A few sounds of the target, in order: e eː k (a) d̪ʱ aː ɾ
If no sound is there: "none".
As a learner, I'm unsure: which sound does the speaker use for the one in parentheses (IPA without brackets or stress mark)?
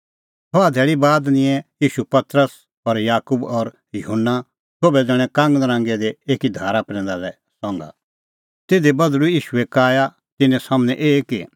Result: i